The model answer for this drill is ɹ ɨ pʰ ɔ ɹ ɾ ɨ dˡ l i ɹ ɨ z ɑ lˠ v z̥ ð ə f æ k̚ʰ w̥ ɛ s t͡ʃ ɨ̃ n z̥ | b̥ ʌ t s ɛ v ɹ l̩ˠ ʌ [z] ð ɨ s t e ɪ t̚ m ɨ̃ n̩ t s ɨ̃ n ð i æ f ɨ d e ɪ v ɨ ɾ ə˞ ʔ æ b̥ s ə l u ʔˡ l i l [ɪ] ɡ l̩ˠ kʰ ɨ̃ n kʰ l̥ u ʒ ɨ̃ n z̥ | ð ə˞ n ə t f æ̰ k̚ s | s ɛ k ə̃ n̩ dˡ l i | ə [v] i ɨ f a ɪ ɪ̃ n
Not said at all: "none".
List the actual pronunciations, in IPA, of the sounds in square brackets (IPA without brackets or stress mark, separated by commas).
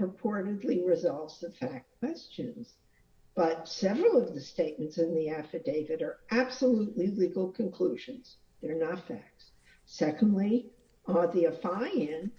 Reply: v, i, ð